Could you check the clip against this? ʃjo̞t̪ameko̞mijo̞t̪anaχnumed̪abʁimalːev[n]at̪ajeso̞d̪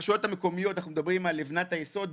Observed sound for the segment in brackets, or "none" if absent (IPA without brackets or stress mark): n